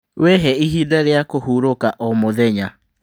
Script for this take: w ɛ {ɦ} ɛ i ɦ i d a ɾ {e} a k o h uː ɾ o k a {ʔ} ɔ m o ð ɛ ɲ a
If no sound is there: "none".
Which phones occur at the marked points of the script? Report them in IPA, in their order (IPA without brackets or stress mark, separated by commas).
ɦ, e, ʔ